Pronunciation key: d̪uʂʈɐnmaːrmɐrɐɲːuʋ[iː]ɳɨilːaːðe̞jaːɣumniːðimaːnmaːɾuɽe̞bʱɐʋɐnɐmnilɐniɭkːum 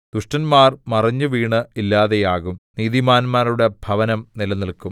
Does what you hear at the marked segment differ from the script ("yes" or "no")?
no